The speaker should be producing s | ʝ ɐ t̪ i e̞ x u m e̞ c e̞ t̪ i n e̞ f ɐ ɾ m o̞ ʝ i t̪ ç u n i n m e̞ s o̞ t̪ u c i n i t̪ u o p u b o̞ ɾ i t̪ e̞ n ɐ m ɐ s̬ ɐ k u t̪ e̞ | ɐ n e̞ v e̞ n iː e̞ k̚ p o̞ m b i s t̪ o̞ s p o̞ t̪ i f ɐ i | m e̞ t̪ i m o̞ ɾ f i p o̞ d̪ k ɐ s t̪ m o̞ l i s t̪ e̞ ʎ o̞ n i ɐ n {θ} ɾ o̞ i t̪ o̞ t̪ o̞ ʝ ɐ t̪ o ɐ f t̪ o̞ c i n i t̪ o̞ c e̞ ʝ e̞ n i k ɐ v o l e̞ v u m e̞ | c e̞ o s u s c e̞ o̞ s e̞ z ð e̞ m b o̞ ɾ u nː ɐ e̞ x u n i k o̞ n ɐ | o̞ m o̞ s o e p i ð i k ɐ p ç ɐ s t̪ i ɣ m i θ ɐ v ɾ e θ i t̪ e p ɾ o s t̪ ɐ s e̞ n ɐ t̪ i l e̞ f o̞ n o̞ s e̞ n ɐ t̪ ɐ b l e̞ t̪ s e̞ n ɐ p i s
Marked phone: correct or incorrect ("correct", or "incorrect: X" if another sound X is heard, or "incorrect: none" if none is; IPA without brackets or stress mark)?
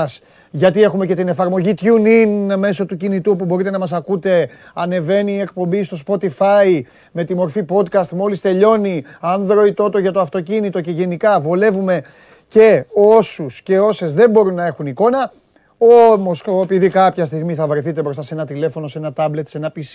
incorrect: ð